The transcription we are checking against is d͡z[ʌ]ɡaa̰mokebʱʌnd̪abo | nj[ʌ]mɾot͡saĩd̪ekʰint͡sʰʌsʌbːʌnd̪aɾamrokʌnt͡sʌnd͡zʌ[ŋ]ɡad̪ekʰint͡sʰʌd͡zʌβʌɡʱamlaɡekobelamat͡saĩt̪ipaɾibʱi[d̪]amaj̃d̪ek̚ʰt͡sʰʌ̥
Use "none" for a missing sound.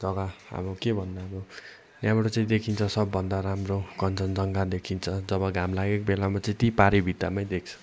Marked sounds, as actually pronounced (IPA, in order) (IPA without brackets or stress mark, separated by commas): ʌ, a, ŋ, t̪